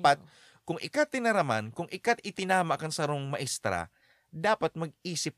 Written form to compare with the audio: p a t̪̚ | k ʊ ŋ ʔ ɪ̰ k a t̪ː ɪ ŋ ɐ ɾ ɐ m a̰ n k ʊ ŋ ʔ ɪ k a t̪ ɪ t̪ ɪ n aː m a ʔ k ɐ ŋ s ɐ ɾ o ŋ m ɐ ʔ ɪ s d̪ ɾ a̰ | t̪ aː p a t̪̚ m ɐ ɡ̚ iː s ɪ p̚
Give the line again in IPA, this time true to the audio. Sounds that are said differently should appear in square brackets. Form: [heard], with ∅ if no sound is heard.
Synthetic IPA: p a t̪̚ | k ʊ ŋ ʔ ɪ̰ k a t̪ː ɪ [n] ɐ ɾ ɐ m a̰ n k ʊ ŋ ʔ ɪ k a t̪ ɪ t̪ ɪ n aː m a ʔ k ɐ ŋ s ɐ ɾ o ŋ m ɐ ʔ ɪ s [t̪] ɾ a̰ | [d̪] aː p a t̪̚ m ɐ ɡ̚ iː s ɪ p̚